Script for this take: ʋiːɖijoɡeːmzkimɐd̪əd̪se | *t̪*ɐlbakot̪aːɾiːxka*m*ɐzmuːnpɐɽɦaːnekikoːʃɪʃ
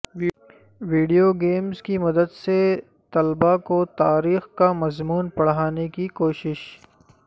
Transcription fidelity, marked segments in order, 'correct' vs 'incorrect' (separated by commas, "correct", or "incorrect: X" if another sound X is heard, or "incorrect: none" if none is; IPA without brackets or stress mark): correct, correct